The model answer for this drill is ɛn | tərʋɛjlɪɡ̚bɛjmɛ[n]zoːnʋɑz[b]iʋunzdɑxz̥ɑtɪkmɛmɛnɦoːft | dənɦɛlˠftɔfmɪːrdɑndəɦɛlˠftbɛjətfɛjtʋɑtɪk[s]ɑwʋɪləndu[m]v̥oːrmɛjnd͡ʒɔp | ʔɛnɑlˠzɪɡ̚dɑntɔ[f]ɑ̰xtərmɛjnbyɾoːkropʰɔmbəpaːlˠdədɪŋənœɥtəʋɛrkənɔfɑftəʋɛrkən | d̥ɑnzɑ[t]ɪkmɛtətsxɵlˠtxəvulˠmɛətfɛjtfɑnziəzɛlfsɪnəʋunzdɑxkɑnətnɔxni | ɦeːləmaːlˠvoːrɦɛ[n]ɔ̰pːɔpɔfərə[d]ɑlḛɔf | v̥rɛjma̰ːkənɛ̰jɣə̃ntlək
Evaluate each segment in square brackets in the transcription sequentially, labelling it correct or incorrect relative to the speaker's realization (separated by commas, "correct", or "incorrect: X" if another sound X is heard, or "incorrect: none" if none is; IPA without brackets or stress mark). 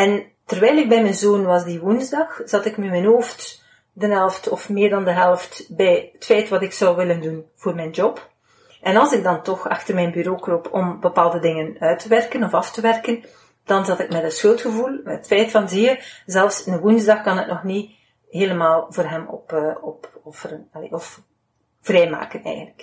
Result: correct, incorrect: d, correct, incorrect: n, incorrect: x, correct, incorrect: m, incorrect: n